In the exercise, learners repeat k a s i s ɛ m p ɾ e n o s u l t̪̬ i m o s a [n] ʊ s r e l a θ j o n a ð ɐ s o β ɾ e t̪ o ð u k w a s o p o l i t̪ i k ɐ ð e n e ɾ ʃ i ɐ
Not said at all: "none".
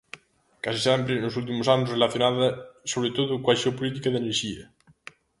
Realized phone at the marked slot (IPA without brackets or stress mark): n